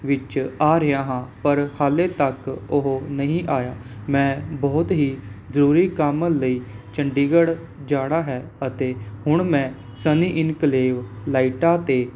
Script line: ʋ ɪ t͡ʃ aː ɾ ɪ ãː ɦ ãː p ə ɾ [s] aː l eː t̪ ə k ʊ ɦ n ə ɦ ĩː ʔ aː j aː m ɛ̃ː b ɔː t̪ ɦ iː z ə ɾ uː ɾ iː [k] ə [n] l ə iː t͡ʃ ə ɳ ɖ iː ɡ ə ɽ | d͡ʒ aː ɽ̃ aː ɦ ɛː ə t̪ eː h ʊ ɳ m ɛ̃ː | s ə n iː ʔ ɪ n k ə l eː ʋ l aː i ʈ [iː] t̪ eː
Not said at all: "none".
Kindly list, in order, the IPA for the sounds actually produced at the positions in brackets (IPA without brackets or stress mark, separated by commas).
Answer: h, k, m, aː